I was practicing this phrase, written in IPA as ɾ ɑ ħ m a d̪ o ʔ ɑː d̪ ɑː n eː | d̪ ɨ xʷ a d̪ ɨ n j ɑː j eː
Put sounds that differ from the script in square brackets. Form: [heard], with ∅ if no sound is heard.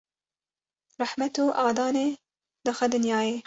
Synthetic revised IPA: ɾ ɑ ħ m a [t̪] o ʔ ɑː d̪ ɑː n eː | d̪ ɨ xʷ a d̪ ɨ n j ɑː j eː